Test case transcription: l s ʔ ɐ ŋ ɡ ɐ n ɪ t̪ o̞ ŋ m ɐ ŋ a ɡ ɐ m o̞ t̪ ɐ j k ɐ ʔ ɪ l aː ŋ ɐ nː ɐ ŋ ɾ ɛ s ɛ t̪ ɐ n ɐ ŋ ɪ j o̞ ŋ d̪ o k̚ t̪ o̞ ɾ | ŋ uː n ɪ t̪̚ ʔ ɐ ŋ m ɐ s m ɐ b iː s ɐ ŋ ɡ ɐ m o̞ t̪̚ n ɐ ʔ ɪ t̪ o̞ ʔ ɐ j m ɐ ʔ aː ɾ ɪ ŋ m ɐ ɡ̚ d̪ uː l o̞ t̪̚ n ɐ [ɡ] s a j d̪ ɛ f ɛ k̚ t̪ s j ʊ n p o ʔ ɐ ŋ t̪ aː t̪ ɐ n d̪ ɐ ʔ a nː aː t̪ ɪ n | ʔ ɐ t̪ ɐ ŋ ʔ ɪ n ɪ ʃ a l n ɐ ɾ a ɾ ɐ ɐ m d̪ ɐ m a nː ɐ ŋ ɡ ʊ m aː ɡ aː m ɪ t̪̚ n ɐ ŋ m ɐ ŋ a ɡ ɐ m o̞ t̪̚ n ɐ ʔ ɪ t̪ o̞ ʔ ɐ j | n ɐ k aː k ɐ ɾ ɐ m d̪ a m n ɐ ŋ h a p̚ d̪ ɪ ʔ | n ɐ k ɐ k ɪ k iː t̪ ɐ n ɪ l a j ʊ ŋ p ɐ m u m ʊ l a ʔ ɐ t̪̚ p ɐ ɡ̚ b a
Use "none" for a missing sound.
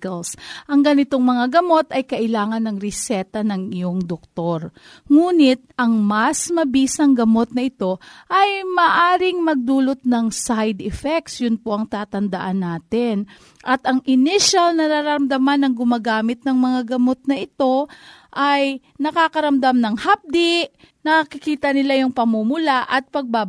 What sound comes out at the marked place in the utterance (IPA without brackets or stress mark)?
ŋ